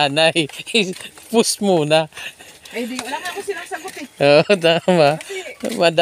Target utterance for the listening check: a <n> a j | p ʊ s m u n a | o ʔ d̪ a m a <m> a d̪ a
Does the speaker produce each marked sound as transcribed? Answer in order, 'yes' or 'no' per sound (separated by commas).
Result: yes, yes